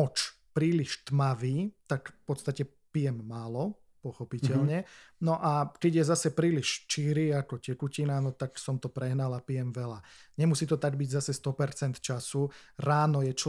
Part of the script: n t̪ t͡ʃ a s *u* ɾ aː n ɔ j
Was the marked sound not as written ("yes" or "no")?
no